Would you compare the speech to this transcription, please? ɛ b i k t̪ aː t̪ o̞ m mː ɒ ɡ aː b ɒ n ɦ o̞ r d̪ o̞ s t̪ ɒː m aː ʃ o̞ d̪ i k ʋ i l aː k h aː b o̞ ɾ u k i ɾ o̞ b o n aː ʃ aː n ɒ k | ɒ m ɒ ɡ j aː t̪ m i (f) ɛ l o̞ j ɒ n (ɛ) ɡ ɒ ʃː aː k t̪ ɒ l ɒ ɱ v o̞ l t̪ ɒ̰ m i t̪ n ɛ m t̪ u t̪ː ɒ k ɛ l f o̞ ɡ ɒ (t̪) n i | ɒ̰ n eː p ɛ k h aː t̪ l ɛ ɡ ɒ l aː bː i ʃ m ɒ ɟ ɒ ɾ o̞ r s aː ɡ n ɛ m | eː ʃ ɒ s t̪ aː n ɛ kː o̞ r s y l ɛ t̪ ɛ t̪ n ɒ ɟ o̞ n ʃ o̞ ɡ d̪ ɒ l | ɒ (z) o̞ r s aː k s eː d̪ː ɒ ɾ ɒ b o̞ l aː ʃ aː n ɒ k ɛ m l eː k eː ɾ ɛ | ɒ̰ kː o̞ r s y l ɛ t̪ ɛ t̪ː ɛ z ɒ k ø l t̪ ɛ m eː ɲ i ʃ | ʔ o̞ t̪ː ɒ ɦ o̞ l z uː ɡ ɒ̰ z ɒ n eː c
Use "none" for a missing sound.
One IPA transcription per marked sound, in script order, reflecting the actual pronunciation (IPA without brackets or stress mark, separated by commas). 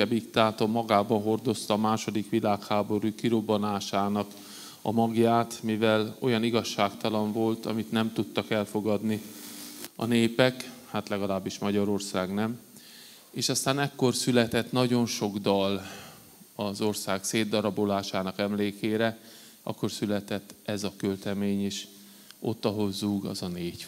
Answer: v, i, d̪, z